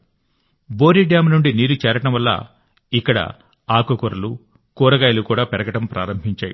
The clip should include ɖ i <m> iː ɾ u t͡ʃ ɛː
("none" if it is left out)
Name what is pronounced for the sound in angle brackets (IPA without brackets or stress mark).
n